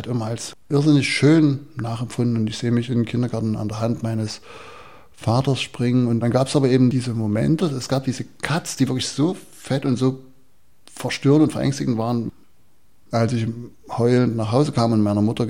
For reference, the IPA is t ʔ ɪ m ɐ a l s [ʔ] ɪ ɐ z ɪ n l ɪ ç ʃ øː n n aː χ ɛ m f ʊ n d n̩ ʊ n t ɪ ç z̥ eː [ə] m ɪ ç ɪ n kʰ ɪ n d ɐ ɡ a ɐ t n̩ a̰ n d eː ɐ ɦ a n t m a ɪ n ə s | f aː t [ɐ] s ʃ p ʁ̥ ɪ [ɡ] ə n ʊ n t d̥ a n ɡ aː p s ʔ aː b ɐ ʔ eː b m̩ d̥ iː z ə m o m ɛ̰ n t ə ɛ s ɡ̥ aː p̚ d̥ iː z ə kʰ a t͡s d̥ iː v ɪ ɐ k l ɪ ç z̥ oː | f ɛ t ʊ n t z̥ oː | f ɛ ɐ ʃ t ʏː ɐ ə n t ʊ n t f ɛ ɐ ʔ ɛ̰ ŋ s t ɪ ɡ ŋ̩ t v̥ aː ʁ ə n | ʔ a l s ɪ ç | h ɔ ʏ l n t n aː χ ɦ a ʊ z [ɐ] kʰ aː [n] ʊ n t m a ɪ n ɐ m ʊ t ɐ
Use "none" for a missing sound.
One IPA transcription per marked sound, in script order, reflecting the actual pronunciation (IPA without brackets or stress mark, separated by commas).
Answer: ʔ, ə, ɐ, ŋ, ə, m